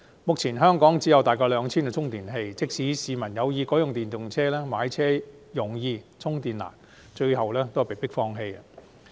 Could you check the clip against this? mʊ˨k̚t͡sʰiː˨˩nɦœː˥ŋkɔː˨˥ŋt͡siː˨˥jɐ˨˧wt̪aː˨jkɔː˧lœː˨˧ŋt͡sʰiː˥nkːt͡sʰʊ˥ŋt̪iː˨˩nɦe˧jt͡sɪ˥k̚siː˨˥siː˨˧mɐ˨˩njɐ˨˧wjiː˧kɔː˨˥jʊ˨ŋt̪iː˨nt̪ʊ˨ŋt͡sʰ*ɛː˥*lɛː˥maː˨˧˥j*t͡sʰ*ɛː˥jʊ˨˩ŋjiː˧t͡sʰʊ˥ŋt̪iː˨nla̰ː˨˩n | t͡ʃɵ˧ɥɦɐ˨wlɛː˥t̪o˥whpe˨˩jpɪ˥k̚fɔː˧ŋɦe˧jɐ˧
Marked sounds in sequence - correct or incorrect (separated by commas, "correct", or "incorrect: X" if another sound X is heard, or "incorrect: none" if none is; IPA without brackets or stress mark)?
correct, correct